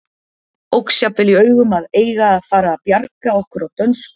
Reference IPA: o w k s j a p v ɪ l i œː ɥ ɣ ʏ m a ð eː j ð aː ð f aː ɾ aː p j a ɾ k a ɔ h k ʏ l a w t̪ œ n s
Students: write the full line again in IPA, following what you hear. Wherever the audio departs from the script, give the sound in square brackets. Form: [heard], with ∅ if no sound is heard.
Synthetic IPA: o w k s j a p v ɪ l i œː ɥ ɣ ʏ m a ð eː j [ɣ] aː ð f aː ɾ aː p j a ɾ k a ɔ h k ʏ [ɾ] a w t̪ œ n s